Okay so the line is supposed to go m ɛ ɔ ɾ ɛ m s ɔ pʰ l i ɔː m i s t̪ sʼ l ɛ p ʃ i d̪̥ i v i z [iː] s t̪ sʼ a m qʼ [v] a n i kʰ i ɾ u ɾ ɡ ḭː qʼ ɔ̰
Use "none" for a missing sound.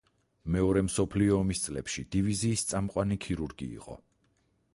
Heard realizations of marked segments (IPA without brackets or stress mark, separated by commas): iː, w